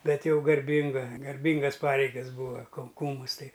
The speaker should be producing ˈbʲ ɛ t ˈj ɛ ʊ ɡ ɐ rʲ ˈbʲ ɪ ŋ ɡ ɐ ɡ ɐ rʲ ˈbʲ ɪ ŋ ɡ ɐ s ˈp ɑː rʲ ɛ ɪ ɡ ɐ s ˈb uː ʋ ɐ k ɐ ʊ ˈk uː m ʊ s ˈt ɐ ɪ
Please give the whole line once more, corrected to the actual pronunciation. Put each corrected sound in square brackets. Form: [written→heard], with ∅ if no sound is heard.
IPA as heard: ˈbʲ ɛ t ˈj ɛ ʊ ɡ ɐ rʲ ˈbʲ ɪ ŋ ɡ ɐ ɡ ɐ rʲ ˈbʲ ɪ ŋ ɡ ɐ s ˈp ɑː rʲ ɛ ɪ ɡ ɐ s ˈb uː ʋ ɐ k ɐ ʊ ˈk uː m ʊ s ˈt ɐ ɪ